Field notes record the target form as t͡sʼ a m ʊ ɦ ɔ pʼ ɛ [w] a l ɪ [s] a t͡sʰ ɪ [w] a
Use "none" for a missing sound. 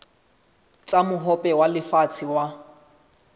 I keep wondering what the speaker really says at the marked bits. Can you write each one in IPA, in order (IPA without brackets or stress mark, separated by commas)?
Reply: w, f, w